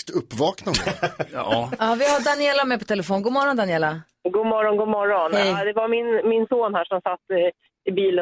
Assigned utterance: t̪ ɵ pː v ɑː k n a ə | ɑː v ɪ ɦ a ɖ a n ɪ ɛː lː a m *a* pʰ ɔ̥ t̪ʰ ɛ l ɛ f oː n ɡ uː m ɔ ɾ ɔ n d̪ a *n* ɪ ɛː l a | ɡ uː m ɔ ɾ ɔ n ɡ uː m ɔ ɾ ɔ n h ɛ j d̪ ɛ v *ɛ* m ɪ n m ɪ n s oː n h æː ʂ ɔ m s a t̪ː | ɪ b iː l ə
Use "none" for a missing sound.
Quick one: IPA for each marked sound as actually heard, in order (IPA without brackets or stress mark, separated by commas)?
ɛ, n, a